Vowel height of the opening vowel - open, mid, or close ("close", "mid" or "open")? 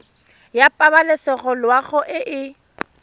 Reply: open